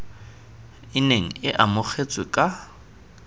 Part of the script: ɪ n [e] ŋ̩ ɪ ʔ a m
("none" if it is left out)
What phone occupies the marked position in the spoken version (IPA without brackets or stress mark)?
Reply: e